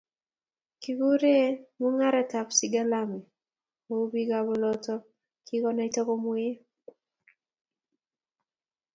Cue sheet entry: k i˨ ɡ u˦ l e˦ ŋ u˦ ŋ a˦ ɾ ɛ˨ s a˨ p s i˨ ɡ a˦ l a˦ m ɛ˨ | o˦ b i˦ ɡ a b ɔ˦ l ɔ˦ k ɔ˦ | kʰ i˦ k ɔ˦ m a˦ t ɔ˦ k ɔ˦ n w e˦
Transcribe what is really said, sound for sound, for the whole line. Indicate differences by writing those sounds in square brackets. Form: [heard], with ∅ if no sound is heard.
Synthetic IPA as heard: k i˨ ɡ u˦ [ɾ] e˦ [m] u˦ ŋ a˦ ɾ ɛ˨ [t] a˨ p s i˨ ɡ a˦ l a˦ m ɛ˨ | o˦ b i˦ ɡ a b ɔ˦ l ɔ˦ [t] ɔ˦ | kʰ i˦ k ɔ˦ [n] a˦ t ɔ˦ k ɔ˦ [m] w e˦